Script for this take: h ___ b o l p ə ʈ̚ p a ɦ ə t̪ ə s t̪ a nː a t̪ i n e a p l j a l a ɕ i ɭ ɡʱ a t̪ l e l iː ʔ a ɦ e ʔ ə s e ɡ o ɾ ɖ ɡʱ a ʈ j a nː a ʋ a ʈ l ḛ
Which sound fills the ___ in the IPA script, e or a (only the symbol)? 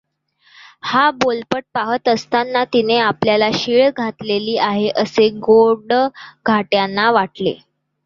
a